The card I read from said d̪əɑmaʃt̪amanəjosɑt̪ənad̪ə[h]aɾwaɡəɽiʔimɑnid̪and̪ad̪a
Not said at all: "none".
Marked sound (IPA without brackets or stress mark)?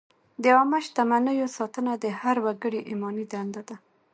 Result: h